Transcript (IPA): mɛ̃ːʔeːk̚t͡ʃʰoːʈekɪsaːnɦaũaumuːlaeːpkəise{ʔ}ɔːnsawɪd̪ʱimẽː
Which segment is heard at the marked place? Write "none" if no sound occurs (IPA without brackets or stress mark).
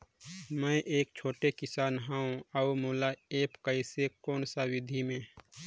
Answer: k